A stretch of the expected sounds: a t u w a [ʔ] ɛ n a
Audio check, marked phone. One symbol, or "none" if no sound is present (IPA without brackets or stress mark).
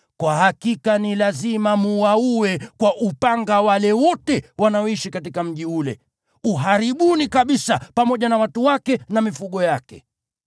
k